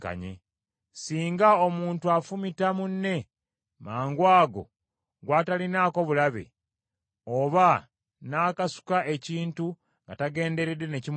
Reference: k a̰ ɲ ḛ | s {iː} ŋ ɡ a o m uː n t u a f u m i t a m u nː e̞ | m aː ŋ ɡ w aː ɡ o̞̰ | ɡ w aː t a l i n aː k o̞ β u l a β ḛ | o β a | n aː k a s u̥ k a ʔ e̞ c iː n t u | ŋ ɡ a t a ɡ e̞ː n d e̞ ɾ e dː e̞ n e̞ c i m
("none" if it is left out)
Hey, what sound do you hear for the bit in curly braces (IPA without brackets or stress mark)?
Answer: iː